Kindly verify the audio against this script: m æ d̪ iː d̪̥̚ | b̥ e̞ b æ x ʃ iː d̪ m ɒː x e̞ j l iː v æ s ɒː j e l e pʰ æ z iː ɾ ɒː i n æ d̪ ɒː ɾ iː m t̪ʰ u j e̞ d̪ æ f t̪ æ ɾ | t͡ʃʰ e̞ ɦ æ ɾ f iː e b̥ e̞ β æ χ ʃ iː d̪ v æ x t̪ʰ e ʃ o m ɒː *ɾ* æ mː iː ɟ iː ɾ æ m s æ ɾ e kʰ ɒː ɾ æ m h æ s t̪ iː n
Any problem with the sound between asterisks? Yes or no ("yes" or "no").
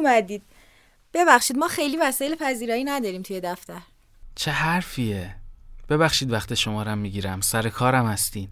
no